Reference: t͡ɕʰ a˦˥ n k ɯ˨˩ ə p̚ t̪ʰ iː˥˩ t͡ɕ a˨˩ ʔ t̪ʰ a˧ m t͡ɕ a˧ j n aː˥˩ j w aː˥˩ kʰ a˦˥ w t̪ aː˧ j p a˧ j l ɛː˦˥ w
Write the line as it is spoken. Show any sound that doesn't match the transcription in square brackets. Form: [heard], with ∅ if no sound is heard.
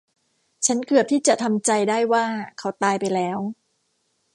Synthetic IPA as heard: t͡ɕʰ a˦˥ n k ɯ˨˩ ə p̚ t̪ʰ iː˥˩ t͡ɕ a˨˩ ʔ t̪ʰ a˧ m t͡ɕ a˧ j [d] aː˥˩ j w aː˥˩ kʰ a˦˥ w t̪ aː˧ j p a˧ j l ɛː˦˥ w